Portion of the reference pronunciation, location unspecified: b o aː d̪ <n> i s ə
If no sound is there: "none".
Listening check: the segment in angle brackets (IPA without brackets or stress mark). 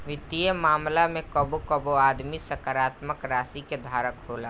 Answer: m